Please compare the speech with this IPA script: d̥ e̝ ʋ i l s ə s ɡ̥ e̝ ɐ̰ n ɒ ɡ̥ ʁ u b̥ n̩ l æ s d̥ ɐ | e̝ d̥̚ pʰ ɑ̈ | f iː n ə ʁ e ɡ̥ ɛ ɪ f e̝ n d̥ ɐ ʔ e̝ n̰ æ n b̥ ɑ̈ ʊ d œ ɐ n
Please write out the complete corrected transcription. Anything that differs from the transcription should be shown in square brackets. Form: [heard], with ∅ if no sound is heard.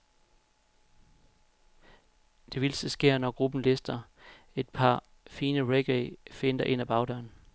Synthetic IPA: d̥ e̝ ʋ i l s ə s ɡ̥ e̝ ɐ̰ n ɒ ɡ̥ ʁ u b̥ n̩ l [e] s d̥ ɐ | e̝ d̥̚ pʰ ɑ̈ | f iː n ə ʁ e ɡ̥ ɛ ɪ f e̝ n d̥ ɐ ʔ e̝ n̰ æ [∅] b̥ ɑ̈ ʊ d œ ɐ n